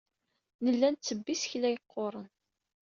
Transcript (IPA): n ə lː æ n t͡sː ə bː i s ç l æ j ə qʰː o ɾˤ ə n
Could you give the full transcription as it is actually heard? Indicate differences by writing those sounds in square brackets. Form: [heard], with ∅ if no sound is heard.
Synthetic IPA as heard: n ə lː æ n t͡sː ə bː i s ç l æ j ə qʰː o ɾˤ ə n